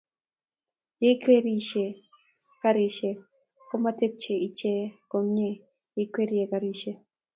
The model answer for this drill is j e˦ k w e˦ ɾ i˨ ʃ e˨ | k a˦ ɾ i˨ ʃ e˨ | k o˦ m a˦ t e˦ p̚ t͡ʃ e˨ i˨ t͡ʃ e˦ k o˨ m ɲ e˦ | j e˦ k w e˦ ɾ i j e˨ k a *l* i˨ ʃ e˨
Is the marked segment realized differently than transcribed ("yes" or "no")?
yes